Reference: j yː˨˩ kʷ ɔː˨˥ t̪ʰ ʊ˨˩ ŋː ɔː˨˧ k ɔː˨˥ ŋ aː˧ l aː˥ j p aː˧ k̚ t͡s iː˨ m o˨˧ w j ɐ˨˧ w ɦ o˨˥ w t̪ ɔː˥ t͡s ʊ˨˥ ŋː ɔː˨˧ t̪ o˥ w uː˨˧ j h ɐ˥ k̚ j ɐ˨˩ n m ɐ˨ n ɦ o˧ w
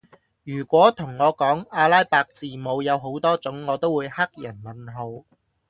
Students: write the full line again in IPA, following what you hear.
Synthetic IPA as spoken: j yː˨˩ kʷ ɔː˨˥ t̪ʰ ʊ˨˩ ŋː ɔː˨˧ k ɔː˨˥ ŋ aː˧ l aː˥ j p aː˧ k̚ t͡s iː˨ m o˨˧ w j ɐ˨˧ w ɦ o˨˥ w t̪ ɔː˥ t͡s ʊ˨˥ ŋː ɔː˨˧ t̪ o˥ w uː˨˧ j h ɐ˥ k̚ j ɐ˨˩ n m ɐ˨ n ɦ o˧ w